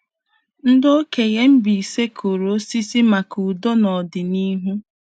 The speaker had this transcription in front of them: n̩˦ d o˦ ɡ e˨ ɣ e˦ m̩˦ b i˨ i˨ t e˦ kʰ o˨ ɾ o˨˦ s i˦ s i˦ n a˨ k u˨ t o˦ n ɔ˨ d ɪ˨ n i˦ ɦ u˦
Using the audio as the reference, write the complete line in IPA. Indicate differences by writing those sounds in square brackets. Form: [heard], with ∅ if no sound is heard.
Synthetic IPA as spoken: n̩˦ d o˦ [k] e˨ ɣ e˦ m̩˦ b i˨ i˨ [s] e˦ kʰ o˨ ɾ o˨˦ s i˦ s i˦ [m] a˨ k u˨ [d] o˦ n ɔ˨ d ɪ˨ n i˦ ɦ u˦

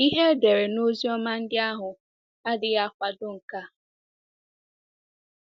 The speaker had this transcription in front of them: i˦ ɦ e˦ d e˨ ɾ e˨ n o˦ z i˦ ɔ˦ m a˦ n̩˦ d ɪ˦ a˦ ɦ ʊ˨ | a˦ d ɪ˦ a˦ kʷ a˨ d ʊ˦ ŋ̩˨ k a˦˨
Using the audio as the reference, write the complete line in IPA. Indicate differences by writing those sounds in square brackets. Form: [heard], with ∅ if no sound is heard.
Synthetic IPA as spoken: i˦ ɦ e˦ d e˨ ɾ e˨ n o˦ z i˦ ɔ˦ m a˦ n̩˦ d ɪ˦ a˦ ɦ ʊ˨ | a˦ d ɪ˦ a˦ kʷ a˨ d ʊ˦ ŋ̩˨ k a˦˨

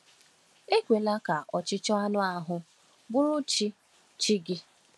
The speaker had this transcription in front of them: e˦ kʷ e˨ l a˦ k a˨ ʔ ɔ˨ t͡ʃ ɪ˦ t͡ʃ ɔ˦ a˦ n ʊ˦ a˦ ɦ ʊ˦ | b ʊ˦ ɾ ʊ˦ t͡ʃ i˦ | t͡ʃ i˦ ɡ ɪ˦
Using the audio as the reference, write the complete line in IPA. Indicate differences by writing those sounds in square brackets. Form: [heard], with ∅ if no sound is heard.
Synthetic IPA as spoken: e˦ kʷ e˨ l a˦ k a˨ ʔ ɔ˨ t͡ʃ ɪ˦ t͡ʃ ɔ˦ a˦ n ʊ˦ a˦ ɦ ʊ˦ | b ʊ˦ ɾ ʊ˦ t͡ʃ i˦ | t͡ʃ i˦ ɡ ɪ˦

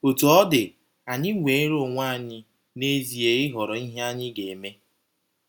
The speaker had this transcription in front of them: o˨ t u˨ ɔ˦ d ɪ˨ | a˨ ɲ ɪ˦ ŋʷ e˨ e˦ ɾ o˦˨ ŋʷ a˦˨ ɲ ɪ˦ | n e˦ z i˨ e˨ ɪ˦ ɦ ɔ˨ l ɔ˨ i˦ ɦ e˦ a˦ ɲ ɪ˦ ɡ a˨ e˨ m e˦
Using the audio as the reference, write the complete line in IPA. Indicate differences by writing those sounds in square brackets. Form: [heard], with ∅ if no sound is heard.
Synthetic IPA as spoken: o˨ t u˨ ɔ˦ d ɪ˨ | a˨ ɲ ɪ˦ ŋʷ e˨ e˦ ɾ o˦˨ ŋʷ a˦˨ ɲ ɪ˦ | n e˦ z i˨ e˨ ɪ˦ ɦ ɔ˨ [ɾ] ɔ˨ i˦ ɦ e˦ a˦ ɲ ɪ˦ ɡ [e˨] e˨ m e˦

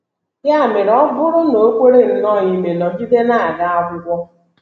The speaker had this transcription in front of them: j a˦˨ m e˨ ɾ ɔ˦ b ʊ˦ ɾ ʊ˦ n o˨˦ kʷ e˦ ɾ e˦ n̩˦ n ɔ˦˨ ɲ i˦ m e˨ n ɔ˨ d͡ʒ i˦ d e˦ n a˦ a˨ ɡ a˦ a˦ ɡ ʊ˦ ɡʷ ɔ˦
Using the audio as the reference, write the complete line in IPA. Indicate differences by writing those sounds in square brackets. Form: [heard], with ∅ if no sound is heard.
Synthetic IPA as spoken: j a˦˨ m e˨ ɾ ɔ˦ b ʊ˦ ɾ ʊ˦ n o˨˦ kʷ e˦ ɾ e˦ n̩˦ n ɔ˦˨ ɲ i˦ m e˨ n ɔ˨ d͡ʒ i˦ d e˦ n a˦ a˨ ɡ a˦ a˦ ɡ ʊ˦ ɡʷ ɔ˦

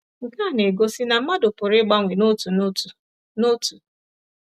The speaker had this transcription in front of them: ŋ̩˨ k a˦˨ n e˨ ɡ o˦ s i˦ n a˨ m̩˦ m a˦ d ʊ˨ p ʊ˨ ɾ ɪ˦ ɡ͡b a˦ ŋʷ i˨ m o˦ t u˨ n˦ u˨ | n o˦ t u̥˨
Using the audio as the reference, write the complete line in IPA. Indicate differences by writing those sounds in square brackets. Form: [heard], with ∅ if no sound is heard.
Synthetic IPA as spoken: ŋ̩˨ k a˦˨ n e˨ ɡ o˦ s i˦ n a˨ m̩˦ m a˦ d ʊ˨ p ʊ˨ ɾ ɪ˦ ɡ͡b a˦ ŋʷ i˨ [n] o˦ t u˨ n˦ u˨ | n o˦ t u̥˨

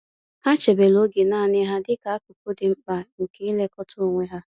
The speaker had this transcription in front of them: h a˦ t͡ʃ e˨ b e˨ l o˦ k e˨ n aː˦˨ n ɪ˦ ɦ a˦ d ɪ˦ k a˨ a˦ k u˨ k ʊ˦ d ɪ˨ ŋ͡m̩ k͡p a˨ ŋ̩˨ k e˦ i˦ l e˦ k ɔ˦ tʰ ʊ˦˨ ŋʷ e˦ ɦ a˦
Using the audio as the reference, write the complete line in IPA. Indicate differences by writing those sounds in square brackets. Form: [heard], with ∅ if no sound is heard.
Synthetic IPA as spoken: h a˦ t͡ʃ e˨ b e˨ l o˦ [ɡ] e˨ n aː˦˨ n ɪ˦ ɦ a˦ d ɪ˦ k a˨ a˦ k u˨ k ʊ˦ d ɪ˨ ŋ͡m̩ k͡p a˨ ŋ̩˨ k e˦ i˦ l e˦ k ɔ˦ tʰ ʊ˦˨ ŋʷ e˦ ɦ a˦

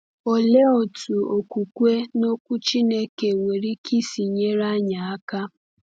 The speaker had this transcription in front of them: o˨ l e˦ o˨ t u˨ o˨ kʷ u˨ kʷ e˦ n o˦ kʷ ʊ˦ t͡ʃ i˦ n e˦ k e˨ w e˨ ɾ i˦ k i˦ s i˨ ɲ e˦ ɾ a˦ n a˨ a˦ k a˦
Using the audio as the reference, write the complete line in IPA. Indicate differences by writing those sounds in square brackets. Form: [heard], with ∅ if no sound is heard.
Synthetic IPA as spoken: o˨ l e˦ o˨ t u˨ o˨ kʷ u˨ kʷ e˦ n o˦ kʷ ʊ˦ t͡ʃ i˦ n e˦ k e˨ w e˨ ɾ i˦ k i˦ s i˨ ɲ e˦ ɾ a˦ [ɲ] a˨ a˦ k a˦

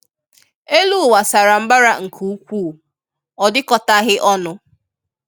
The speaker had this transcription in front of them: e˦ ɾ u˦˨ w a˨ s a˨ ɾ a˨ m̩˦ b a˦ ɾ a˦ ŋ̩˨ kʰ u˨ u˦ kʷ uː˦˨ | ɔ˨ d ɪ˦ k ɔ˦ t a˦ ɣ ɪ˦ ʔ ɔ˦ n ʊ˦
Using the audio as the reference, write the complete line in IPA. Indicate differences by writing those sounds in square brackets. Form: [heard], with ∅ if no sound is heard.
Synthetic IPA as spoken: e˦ [l] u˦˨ w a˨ s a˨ ɾ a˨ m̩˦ b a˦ ɾ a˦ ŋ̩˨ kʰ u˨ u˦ kʷ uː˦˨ | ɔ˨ d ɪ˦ k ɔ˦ t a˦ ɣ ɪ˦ ʔ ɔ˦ n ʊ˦

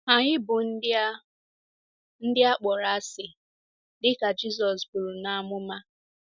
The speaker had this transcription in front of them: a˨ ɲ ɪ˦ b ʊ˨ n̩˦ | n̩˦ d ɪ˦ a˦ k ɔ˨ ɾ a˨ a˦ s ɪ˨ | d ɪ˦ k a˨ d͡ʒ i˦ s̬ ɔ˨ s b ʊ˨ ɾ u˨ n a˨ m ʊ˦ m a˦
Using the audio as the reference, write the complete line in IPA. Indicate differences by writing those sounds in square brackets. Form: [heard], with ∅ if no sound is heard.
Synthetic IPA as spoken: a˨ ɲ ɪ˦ b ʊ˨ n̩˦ | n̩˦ d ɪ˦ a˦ [k͡p] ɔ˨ ɾ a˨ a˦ s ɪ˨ | d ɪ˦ k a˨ d͡ʒ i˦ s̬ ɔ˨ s b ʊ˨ ɾ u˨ n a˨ m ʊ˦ m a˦

